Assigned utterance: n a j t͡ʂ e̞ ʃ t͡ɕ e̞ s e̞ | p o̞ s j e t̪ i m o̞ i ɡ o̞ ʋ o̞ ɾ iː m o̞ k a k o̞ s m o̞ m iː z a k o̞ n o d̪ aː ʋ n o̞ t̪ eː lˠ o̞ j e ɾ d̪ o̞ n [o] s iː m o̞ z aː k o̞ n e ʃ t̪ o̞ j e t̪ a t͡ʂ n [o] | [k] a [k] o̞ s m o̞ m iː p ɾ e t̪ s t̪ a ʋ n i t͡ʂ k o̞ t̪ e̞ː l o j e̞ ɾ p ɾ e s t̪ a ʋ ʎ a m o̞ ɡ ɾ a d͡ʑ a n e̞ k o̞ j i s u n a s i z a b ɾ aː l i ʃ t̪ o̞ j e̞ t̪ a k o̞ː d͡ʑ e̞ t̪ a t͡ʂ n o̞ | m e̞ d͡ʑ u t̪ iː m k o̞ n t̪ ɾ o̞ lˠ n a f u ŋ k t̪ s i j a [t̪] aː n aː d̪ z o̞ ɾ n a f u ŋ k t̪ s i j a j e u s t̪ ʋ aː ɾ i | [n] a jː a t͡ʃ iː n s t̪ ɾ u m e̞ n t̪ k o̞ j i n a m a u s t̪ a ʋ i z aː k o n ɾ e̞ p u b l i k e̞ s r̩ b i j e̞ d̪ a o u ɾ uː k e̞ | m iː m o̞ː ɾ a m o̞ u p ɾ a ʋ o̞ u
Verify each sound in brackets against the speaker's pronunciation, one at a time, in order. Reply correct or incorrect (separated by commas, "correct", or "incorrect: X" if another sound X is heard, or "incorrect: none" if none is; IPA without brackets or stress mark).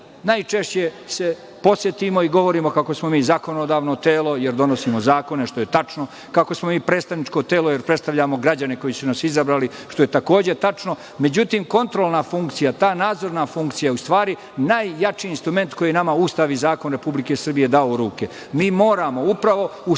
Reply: correct, correct, correct, correct, correct, correct